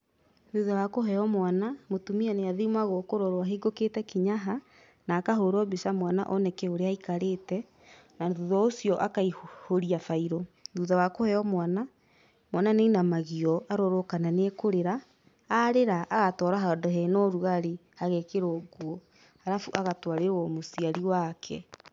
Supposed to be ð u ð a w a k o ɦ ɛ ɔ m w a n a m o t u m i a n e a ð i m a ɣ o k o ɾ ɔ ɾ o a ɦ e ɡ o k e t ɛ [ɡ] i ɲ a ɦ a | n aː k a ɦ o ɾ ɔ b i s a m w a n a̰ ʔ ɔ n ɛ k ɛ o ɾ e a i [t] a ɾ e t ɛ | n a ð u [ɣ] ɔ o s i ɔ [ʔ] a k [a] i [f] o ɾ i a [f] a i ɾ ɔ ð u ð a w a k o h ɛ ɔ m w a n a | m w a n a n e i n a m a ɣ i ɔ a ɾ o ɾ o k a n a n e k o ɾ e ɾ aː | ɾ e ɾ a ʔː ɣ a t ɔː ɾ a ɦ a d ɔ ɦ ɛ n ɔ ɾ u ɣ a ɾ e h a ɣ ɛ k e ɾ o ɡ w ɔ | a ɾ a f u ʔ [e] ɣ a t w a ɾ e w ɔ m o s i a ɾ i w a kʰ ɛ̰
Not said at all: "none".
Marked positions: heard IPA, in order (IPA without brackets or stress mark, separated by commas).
k, k, ð, ʔ, a, h, f, a